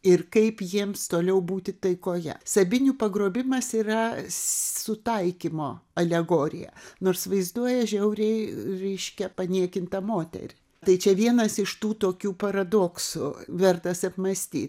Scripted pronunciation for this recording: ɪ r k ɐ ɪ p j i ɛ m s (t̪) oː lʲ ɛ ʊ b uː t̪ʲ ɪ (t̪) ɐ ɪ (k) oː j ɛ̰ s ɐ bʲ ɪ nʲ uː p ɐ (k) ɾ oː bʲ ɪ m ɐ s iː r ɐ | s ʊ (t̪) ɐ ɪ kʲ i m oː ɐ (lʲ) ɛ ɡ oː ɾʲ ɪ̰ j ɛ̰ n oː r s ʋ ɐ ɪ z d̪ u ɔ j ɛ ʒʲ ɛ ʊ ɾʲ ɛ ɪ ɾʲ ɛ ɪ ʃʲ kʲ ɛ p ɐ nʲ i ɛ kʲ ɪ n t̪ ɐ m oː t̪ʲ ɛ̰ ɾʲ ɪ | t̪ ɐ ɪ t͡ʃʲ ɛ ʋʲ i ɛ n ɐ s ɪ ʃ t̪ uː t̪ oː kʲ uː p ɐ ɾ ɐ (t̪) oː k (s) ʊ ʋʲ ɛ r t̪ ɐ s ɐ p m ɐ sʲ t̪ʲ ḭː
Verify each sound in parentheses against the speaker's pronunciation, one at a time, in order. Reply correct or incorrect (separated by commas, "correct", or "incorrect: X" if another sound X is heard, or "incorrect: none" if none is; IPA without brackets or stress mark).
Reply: correct, correct, correct, incorrect: ɡ, correct, correct, incorrect: d̪, correct